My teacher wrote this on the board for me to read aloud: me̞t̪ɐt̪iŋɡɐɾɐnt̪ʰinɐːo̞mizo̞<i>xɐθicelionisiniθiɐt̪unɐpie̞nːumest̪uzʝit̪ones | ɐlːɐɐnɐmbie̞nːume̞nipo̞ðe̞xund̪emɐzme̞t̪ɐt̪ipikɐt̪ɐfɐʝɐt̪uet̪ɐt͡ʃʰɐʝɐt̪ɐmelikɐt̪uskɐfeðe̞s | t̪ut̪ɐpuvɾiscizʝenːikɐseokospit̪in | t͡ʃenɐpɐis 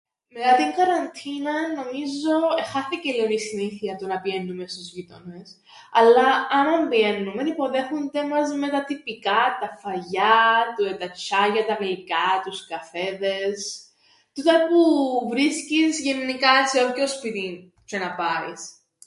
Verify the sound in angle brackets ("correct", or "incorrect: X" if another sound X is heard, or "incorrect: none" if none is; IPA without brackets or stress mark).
incorrect: e